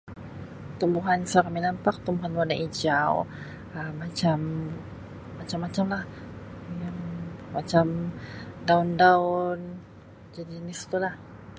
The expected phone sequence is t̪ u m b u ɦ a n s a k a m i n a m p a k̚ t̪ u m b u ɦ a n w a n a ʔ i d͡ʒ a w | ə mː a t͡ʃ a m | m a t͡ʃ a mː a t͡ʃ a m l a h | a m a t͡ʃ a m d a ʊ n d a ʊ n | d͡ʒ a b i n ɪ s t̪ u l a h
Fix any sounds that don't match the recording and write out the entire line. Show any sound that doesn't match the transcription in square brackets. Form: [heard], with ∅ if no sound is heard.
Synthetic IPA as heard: t̪ u m b u ɦ a n s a k a m i n a m p a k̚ t̪ u m b u ɦ a n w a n a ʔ i d͡ʒ a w | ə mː a t͡ʃ a m | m a t͡ʃ a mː a t͡ʃ a m l a h | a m a t͡ʃ a m d a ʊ n d a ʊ n | d͡ʒ a [d] i n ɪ s t̪ u l a h

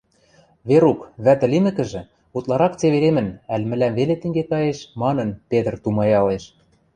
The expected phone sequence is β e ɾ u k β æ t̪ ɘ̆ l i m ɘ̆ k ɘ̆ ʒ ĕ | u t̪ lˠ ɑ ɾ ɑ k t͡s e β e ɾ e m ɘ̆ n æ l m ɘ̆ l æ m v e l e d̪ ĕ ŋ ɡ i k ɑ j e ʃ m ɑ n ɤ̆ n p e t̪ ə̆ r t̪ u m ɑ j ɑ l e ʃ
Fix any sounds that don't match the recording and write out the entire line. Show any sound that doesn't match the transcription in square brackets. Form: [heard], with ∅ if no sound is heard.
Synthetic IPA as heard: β e ɾ u k β æ t̪ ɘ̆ l i m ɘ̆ k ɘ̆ ʒ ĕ | u t̪ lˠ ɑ ɾ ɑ k t͡s e β e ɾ e m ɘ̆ n æ l m ɘ̆ l æ m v e l e [t̪] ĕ ŋ ɡ [e] k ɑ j e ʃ m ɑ n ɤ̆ n p e t̪ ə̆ r t̪ u m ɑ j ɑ l e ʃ

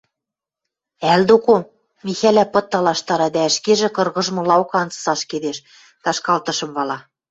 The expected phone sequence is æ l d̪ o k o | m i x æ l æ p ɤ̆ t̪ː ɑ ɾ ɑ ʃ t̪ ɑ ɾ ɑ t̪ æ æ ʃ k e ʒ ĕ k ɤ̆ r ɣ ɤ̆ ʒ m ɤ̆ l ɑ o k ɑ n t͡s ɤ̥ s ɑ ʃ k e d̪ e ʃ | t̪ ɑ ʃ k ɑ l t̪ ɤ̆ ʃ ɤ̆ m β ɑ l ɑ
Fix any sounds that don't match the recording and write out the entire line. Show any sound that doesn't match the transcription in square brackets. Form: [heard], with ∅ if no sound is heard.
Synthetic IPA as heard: æ l d̪ o k o | m i x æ l æ p ɤ̆ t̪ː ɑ [l] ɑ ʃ t̪ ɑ ɾ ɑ [d̪] æ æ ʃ k e ʒ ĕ k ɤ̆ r ɣ ɤ̆ ʒ m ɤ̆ l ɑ o k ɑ n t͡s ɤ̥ s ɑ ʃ k e d̪ e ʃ | t̪ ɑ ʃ k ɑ l t̪ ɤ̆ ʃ ɤ̆ m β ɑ l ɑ

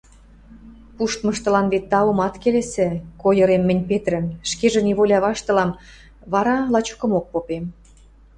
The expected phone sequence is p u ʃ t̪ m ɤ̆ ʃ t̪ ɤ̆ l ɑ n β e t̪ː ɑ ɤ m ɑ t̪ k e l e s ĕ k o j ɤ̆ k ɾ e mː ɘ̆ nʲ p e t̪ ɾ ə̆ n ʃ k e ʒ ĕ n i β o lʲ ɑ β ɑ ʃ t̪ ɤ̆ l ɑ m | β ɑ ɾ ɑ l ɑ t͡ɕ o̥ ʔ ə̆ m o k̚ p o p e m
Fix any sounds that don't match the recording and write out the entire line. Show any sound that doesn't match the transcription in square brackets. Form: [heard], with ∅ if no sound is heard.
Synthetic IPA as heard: p u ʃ t̪ m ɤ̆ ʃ t̪ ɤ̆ l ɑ n β e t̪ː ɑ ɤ m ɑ t̪ k e l e s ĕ k o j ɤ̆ [∅] ɾ e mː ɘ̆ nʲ p e t̪ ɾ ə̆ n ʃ k e ʒ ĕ n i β o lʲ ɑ β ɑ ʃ t̪ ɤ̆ l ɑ m | β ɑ ɾ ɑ l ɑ t͡ɕ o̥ [k] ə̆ m o k̚ p o p e m

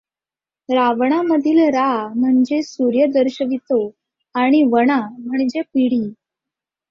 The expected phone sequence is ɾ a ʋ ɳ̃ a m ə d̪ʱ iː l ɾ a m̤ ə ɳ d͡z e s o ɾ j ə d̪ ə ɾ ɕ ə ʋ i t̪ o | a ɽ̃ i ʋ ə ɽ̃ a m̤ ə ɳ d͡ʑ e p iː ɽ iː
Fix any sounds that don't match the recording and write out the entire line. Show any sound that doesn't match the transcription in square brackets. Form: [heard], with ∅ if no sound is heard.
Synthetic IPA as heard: ɾ a ʋ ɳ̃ a m ə d̪ʱ iː l ɾ a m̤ ə ɳ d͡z e s [u] ɾ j ə d̪ ə ɾ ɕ ə ʋ i t̪ o | a ɽ̃ i ʋ ə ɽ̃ a m̤ ə ɳ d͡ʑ e p [i] ɽ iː

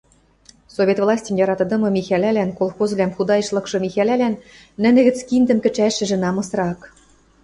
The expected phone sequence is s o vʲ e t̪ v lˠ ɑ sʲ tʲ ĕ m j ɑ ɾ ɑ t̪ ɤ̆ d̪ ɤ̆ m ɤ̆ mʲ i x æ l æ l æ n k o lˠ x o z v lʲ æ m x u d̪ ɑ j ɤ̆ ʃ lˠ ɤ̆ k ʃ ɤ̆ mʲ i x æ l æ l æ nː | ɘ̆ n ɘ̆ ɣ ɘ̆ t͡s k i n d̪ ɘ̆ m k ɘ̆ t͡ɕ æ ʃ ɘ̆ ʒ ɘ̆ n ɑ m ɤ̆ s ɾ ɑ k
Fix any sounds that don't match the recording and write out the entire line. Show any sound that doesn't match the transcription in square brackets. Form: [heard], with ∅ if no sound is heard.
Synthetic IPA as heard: s o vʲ e t̪ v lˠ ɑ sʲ tʲ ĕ m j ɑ ɾ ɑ t̪ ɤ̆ d̪ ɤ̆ m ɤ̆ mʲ i x æ l æ l æ n k o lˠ x o z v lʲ æ m x u d̪ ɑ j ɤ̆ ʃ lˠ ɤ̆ k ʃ ɤ̆ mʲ i x æ l æ l æ nː | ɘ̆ n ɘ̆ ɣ ɘ̆ t͡s k i n d̪ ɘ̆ m k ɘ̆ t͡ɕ æ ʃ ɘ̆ ʒ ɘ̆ n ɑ m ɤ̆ s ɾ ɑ k

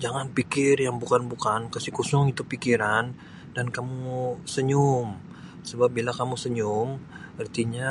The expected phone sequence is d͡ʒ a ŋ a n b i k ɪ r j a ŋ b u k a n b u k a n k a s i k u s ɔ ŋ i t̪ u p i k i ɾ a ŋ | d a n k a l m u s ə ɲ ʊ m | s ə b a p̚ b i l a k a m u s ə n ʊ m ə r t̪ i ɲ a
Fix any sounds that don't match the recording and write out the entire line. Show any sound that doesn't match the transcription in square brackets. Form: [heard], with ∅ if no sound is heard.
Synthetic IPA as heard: d͡ʒ a ŋ a n [p] i k ɪ r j a ŋ b u k a n b u k a n k a s i k u s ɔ ŋ i t̪ u p i k i ɾ a [n] | d a n k a [∅] m u s ə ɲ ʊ m | s ə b a p̚ b i l a k a m u s ə [ɲ] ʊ m ə r t̪ i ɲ a

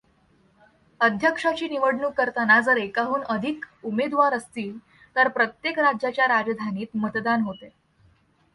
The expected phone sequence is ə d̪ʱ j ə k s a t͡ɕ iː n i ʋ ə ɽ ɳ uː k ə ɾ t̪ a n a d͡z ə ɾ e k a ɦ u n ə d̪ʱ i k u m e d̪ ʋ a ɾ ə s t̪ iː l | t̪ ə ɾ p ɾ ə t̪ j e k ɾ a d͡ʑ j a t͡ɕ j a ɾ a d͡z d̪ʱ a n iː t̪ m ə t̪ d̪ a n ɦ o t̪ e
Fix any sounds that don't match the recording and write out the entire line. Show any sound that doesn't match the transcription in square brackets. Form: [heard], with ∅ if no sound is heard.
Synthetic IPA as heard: ə d̪ʱ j ə k [ʂ] a t͡ɕ iː n i ʋ ə ɽ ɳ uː k ə ɾ t̪ a n a d͡z ə ɾ e k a ɦ [uː] n ə d̪ʱ i k u m e d̪ ʋ a ɾ ə s t̪ iː l | t̪ ə ɾ p ɾ ə t̪ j e k ɾ a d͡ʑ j a t͡ɕ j a ɾ a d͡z d̪ʱ a n iː t̪ m ə t̪ d̪ a n ɦ o t̪ e

